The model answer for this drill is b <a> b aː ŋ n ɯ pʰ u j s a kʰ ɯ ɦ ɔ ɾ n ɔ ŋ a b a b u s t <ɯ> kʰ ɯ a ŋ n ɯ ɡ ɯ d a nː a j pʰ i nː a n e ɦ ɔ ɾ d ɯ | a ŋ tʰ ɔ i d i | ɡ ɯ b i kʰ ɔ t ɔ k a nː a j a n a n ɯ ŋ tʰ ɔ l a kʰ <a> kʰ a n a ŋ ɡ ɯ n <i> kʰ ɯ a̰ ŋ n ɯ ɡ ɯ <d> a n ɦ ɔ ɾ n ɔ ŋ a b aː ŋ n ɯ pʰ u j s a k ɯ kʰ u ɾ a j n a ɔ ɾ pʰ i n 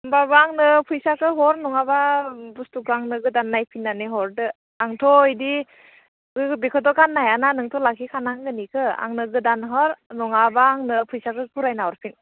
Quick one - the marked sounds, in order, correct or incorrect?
correct, incorrect: u, incorrect: i, correct, correct

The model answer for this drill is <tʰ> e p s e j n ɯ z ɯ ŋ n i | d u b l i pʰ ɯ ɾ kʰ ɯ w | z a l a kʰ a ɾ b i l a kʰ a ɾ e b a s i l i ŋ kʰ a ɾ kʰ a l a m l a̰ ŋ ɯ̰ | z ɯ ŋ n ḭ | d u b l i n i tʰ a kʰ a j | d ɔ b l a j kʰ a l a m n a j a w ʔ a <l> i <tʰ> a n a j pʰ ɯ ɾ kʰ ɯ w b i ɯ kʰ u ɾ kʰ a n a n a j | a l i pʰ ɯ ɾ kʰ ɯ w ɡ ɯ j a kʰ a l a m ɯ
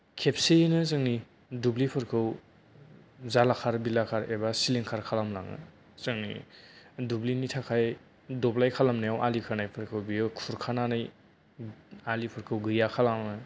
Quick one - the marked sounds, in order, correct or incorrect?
incorrect: kʰ, correct, incorrect: kʰ

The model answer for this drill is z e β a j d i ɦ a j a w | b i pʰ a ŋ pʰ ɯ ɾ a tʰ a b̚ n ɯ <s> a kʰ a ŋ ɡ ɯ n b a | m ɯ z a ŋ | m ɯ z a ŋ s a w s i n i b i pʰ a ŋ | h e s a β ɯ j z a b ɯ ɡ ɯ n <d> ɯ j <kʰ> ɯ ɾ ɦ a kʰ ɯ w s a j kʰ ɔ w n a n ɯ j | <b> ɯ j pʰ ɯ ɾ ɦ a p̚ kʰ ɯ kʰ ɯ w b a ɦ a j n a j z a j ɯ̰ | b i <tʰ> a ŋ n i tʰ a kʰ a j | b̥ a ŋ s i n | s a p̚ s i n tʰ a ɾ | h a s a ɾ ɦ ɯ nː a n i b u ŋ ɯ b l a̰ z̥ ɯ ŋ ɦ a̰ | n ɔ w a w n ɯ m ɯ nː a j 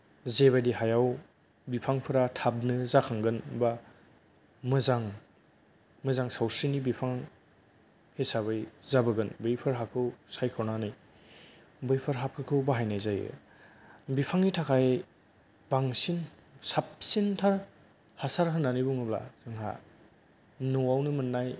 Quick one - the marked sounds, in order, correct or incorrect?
incorrect: z, incorrect: b, incorrect: pʰ, correct, incorrect: pʰ

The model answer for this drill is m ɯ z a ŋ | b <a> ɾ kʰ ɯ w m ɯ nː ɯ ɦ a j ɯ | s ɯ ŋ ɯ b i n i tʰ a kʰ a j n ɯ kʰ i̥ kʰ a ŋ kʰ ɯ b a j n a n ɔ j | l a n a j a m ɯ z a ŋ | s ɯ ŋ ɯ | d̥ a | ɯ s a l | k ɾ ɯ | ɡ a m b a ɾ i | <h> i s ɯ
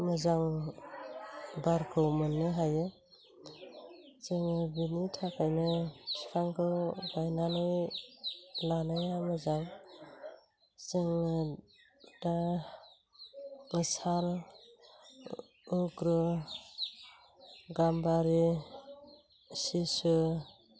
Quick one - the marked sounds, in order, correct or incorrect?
correct, incorrect: s

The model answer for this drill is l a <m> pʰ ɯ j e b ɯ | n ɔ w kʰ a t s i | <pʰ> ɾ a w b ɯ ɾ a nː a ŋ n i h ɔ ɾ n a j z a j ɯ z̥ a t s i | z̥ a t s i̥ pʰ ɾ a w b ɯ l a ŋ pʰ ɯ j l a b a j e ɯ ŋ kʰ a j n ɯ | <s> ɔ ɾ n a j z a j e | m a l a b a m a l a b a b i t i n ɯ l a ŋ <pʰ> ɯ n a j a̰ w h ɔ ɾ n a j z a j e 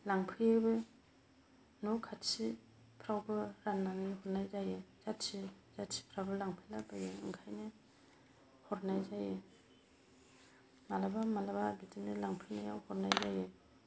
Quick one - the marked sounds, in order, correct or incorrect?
incorrect: ŋ, correct, incorrect: h, correct

